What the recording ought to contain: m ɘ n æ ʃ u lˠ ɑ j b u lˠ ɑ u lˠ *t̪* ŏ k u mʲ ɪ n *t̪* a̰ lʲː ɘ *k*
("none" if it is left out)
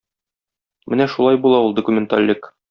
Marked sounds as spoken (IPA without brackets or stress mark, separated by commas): d̪, t̪, k